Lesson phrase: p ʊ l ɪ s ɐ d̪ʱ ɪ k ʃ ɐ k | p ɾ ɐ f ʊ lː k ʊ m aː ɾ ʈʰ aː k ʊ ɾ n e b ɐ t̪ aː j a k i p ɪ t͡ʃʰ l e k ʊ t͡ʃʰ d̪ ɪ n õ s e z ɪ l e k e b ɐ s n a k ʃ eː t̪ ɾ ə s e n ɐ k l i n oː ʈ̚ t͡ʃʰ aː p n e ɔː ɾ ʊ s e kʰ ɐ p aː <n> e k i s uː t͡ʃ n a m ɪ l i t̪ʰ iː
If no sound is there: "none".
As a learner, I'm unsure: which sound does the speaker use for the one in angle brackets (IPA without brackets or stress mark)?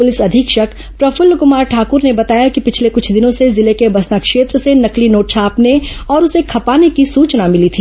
n